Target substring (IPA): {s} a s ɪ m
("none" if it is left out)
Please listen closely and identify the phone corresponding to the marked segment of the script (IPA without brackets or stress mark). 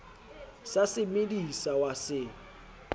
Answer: s